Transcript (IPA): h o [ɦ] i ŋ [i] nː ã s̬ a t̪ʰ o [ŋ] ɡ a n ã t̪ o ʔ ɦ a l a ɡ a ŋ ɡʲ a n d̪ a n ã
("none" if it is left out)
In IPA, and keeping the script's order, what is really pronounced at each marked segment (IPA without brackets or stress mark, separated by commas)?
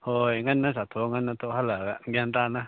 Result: none, a, ŋ